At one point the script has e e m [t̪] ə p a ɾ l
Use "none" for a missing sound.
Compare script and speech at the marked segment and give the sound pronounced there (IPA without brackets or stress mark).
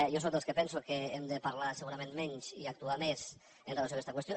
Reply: d̪